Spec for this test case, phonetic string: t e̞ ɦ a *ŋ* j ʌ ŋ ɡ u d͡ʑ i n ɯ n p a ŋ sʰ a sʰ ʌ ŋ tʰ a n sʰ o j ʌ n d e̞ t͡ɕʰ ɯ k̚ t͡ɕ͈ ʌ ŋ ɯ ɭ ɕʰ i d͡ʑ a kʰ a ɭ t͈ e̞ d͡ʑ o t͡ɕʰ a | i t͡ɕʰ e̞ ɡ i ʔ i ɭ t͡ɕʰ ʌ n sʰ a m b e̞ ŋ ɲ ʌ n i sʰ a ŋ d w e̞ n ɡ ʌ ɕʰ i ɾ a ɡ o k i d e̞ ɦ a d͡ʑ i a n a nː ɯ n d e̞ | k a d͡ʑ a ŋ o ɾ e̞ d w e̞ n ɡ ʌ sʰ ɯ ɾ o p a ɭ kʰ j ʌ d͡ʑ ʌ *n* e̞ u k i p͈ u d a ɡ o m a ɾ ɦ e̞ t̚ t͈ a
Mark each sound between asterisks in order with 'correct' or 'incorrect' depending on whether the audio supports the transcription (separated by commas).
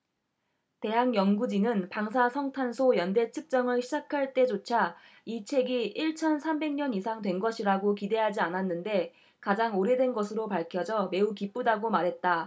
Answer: correct, incorrect